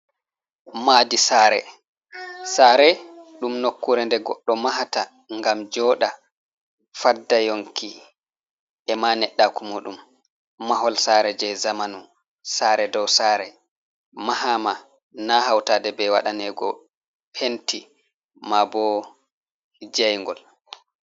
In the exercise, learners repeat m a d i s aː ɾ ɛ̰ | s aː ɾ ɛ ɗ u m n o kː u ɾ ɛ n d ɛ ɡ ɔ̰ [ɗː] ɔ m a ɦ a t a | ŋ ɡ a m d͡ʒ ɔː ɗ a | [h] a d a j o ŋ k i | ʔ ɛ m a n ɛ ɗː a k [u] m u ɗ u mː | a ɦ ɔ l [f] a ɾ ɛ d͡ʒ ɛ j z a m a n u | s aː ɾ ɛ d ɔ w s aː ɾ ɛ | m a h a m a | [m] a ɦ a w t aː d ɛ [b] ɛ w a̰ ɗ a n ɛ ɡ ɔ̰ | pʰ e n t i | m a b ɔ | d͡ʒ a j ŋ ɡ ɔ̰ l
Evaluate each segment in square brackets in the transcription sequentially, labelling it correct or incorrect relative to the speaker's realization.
correct, incorrect, correct, incorrect, incorrect, correct

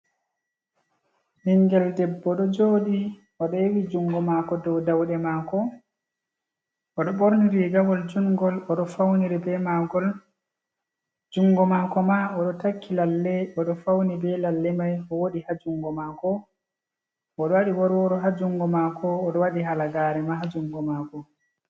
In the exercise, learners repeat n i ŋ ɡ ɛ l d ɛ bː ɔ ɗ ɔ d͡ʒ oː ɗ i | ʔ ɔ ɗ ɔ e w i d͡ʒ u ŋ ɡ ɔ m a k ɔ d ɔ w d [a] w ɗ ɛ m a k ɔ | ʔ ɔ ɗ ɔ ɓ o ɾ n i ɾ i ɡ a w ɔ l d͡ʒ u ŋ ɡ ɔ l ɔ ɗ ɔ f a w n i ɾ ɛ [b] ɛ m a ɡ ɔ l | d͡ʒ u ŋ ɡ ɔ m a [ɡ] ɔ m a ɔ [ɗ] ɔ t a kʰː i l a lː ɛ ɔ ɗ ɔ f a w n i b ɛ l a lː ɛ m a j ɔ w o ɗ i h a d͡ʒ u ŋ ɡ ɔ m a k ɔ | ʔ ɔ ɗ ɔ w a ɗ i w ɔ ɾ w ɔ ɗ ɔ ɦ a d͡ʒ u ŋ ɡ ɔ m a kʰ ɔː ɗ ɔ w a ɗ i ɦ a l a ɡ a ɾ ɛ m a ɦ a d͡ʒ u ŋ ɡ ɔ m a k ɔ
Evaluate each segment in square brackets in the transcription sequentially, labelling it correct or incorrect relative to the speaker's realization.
correct, correct, incorrect, correct

